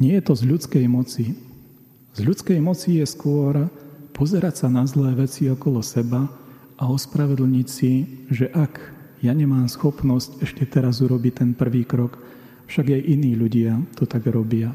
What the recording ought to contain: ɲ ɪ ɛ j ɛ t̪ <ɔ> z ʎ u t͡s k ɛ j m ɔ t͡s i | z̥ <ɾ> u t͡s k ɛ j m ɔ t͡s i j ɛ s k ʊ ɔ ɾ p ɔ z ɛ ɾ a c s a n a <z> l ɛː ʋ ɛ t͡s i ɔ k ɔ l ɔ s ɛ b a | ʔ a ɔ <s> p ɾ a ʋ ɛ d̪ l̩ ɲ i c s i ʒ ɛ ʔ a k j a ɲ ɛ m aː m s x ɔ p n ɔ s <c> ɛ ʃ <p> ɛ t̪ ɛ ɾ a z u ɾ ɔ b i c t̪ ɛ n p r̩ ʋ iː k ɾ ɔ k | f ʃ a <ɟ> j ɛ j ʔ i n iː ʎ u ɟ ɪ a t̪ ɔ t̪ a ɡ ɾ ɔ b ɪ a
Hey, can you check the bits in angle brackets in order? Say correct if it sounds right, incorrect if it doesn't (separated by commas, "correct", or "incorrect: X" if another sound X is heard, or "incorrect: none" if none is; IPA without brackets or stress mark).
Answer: correct, incorrect: ʎ, correct, correct, correct, incorrect: c, incorrect: ɡ